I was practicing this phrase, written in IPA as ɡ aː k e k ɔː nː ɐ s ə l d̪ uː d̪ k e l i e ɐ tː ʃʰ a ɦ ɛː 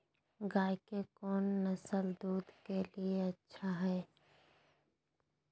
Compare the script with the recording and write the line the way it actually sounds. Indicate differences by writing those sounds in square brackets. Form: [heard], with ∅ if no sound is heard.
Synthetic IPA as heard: ɡ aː k e k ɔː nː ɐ s ə l d̪ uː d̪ k e l i e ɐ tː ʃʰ a ɦ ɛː